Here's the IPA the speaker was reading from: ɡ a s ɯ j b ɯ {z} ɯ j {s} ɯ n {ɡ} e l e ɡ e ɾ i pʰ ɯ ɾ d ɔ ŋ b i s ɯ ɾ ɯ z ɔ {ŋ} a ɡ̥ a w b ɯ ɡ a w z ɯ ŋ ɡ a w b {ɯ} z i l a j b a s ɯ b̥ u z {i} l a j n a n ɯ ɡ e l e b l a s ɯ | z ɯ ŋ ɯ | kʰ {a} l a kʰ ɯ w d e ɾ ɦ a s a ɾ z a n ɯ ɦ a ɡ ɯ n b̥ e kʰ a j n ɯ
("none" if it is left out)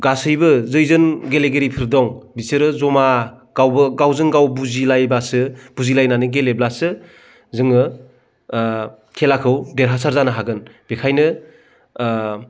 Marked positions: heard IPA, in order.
z, z, ɡ, m, u, i, e

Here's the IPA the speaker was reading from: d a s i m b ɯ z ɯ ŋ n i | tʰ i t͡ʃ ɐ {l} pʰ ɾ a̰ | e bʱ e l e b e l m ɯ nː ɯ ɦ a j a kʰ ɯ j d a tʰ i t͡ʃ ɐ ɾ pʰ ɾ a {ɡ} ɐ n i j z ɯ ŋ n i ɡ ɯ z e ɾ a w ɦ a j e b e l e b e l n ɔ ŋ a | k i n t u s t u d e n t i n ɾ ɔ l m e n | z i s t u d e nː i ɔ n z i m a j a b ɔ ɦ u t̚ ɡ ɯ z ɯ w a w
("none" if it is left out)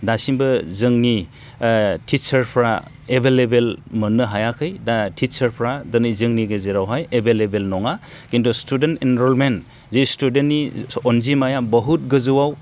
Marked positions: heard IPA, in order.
ɾ, d

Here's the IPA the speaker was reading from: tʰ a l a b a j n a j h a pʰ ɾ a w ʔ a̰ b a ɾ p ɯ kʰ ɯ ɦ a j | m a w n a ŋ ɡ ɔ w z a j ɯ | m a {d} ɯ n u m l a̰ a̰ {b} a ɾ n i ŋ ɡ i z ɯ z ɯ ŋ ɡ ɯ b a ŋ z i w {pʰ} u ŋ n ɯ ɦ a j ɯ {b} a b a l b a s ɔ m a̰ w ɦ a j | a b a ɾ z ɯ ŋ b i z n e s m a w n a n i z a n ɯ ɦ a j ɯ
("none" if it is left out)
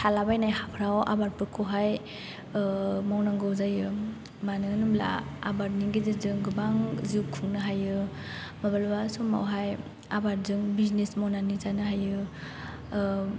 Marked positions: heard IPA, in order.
n, b, kʰ, m

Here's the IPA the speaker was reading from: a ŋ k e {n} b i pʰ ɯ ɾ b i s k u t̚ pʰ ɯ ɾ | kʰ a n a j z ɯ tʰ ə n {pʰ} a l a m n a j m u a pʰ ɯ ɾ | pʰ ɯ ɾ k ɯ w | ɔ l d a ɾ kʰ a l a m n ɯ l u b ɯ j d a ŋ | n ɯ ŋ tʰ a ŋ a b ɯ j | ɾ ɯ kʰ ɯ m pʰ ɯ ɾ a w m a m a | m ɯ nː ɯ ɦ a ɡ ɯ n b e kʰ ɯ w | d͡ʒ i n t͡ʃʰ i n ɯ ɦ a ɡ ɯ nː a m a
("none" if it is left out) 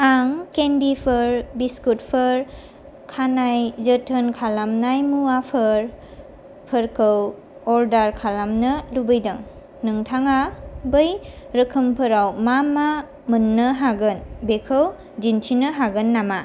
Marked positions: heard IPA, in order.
n, kʰ

